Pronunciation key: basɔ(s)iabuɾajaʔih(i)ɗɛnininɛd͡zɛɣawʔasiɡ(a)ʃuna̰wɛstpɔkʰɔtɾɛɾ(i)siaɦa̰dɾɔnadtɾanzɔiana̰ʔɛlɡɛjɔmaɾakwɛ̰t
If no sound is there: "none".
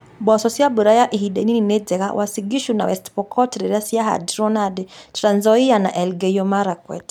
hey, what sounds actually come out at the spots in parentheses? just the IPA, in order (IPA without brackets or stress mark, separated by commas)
s, i, i, a